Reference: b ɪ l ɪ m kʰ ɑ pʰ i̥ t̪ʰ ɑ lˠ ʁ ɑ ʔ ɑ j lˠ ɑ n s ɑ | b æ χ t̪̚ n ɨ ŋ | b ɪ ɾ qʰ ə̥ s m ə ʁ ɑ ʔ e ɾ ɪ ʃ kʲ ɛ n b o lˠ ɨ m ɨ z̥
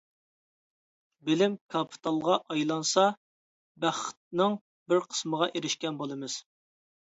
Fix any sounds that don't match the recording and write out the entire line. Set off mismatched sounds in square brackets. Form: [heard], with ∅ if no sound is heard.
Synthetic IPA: b ɪ l ɪ m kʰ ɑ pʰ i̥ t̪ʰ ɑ lˠ ʁ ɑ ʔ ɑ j lˠ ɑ n s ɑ | b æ χ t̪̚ n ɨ ŋ | b ɪ ɾ qʰ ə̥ s m ə ʁ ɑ ʔ e ɾ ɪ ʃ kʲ ɛ n b o lˠ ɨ m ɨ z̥